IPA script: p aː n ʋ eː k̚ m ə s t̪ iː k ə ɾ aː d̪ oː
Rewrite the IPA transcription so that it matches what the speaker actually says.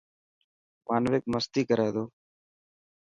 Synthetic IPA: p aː n ʋ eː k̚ m ə s t̪ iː k ə ɾ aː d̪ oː